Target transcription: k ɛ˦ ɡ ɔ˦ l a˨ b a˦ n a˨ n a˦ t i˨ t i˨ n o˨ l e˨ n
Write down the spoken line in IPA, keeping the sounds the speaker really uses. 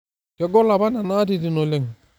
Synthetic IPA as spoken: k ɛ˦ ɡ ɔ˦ l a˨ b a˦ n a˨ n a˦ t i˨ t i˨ n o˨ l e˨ ŋ